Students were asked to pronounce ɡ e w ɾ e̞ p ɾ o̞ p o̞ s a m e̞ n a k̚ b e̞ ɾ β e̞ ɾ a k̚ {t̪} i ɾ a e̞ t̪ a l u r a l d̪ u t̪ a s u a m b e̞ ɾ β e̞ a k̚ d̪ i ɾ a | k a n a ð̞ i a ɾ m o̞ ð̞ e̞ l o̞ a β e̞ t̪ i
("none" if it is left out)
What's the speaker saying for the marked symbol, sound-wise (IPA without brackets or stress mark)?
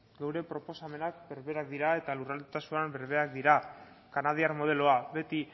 d̪